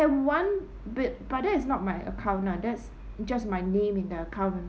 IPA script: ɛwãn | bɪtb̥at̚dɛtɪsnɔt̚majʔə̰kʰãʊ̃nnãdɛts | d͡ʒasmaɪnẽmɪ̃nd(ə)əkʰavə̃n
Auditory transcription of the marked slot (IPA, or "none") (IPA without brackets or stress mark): ə